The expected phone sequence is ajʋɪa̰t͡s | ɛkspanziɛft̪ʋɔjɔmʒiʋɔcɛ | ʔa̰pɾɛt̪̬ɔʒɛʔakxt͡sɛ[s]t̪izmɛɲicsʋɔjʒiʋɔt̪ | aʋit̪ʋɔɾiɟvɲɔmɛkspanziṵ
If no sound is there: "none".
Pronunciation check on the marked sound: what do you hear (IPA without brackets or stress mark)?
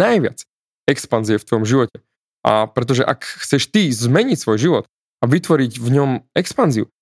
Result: ʃ